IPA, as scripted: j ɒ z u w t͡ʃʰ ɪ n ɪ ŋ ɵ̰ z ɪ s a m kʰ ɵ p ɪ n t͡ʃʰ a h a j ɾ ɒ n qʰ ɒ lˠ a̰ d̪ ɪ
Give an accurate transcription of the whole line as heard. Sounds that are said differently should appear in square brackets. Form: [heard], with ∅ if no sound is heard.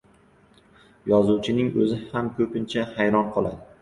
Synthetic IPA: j ɒ z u w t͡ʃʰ ɪ n ɪ ŋ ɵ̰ z ɪ [h] a m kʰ ɵ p ɪ n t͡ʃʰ a h a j ɾ ɒ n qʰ ɒ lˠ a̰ d̪ ɪ